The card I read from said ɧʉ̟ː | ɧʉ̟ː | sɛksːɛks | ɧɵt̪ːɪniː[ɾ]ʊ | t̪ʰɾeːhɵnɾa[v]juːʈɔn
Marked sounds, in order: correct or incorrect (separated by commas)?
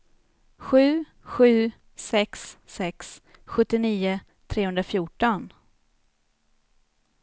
incorrect, incorrect